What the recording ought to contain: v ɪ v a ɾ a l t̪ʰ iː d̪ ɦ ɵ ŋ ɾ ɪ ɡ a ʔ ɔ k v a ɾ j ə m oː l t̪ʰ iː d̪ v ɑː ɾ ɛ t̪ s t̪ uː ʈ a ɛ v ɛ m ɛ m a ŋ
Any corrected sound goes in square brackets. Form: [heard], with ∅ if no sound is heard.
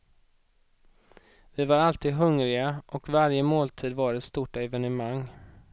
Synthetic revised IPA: v ɪ v a ɾ a l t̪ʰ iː d̪ ɦ ɵ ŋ ɾ ɪ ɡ a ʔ ɔ k v a ɾ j ə m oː l t̪ʰ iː d̪ v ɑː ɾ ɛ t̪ s t̪ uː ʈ a ɛ v ɛ [n] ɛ m a ŋ